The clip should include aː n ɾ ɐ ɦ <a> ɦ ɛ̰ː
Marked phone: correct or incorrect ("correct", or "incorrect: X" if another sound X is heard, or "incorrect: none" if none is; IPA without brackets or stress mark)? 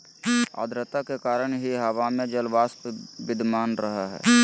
correct